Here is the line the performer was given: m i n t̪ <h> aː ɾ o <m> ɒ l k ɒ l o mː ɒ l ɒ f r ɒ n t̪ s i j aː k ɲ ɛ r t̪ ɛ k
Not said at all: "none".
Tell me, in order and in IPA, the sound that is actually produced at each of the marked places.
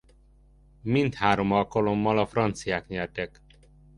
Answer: h, m

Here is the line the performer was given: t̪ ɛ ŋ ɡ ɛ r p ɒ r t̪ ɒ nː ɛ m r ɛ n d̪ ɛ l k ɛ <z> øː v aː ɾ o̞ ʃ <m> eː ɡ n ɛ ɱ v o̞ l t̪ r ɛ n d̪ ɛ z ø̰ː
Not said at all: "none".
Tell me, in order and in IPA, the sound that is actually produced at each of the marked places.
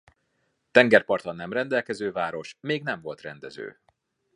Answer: z, m

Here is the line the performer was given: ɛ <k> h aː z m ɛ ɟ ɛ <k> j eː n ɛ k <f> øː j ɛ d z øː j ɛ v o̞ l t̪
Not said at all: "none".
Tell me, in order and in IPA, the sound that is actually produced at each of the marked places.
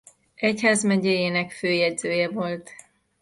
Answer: c, none, f

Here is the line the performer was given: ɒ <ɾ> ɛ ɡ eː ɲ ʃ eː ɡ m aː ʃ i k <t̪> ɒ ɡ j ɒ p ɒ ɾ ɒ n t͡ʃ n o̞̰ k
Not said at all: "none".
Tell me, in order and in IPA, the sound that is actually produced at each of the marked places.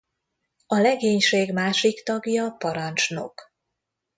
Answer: l, t̪

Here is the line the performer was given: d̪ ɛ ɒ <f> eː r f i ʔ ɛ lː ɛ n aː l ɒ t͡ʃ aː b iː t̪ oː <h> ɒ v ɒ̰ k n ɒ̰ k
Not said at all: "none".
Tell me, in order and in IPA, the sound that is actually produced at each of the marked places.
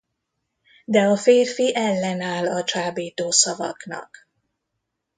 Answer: f, s

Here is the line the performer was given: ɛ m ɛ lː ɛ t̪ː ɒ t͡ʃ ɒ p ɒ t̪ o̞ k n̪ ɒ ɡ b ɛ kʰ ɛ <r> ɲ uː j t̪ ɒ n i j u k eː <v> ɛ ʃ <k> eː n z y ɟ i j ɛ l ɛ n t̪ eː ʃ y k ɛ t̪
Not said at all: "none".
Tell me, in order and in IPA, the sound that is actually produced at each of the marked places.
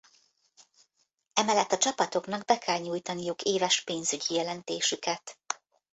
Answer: l, v, p

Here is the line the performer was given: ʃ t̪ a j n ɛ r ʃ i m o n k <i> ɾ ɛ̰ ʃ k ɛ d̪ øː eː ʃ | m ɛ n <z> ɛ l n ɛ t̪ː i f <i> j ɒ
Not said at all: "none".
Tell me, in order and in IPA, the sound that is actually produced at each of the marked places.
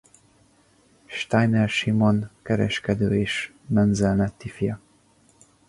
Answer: ɛ, z, i

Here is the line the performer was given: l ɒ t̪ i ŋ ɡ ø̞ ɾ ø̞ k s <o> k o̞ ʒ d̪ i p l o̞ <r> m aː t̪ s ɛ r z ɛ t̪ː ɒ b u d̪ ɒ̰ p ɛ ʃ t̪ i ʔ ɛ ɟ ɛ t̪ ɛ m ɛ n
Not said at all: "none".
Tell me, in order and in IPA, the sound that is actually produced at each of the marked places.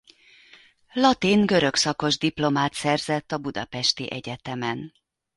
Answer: ɒ, none

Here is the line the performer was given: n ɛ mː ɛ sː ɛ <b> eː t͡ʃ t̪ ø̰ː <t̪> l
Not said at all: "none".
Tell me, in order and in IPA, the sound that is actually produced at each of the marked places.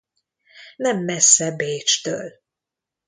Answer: b, none

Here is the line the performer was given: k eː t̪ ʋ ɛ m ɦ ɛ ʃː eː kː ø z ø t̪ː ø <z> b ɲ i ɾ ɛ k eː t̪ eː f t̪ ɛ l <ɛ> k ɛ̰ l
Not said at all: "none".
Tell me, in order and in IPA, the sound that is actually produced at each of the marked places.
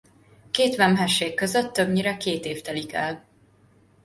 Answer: none, i

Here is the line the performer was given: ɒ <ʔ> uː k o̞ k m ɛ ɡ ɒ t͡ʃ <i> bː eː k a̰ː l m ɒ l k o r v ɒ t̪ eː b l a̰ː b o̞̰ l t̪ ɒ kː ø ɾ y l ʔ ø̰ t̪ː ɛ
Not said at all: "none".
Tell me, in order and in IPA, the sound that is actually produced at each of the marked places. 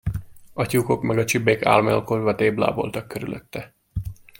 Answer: c, i

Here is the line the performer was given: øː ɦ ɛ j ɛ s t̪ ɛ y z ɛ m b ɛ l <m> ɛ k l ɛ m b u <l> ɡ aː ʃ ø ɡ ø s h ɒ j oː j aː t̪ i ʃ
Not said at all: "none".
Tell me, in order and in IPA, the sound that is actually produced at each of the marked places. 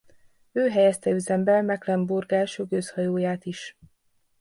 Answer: m, r

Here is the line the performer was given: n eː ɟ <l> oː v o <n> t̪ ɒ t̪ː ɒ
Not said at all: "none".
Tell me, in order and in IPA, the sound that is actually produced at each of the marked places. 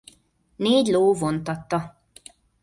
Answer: l, n

